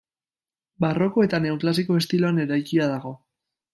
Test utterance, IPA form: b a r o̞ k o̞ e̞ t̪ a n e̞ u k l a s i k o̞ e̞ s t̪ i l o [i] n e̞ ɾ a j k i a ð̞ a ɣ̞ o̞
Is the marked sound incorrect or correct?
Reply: incorrect